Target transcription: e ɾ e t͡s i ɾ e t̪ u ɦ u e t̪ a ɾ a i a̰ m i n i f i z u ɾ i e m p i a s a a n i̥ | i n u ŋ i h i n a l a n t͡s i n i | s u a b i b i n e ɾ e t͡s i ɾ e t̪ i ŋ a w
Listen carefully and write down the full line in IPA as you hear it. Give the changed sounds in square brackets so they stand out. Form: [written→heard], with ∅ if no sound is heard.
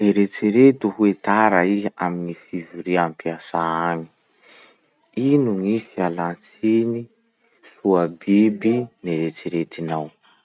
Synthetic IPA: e ɾ e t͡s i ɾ e t̪ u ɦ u e t̪ a ɾ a i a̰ m i n i f i [z→v] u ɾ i [e→a] m p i a s a a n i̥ | i n u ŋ i [h→f] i [n→∅] a l a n t͡s i n i | s u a b i b i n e ɾ e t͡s i ɾ e t̪ i [ŋ→n] a w